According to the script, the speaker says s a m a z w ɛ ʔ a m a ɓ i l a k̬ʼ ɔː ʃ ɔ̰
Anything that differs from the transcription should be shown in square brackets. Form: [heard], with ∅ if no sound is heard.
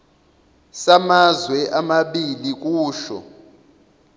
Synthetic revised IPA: s a m a z w ɛ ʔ a m a ɓ i l [i] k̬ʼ [uː] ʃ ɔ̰